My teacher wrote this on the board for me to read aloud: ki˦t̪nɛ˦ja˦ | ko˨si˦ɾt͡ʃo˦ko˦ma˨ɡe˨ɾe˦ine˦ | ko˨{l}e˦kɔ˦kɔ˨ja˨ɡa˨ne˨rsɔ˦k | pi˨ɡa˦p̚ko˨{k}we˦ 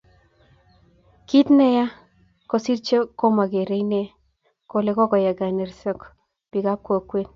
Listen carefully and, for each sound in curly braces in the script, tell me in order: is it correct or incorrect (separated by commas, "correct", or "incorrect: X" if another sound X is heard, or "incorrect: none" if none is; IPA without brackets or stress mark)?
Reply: correct, correct